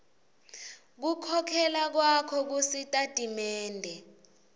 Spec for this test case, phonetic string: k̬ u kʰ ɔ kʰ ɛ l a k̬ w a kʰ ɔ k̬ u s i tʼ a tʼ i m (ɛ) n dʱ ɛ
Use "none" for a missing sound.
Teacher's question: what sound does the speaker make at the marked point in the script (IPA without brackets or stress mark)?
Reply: ɛː